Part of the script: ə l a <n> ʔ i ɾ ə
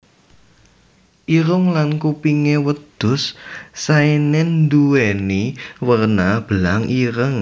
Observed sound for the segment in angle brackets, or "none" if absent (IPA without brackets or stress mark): ŋ